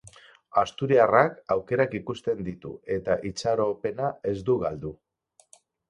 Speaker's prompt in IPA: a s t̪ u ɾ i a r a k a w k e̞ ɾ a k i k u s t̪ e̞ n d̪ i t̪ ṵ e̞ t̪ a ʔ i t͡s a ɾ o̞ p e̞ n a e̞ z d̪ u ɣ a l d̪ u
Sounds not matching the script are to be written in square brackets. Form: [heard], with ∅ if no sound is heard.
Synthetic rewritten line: a s t̪ u ɾ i a r a k a w k e̞ ɾ a k i k u s t̪ e̞ n d̪ i t̪ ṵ e̞ t̪ a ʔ i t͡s a ɾ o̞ p e̞ n a e̞ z d̪ u ɣ a l d̪ u